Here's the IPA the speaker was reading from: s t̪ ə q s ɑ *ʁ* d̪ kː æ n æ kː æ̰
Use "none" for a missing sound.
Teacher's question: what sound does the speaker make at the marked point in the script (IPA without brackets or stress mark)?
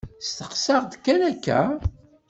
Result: ʁ